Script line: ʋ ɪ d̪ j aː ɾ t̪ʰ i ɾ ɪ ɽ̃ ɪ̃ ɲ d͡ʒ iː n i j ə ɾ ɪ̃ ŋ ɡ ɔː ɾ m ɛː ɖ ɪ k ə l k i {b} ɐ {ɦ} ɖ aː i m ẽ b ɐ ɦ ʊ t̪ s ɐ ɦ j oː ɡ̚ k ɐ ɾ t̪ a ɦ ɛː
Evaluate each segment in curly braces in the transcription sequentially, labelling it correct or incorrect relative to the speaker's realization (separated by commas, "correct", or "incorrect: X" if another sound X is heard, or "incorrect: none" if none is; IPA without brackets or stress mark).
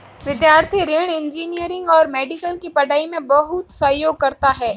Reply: incorrect: p, incorrect: none